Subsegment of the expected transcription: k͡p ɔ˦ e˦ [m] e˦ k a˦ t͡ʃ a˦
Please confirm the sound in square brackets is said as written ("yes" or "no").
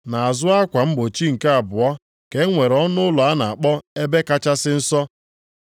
no